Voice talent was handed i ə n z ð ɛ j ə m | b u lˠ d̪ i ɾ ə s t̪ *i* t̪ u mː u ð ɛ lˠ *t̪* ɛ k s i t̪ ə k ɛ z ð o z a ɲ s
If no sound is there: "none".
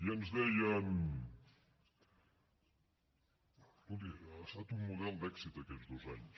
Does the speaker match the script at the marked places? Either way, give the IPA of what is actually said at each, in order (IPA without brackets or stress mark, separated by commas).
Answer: a, d̪